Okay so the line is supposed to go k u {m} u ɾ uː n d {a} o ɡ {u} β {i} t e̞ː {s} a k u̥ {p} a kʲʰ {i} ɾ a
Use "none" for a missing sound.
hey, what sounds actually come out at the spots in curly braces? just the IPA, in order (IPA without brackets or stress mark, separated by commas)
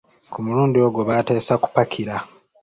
m, i, o, a, s, p, i